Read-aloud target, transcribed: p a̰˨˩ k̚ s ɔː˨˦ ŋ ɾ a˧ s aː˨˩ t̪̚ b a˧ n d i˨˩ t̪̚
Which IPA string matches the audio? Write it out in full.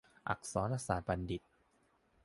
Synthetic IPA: ʔ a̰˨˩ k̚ s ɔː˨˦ n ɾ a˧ s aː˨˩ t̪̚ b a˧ n d i˨˩ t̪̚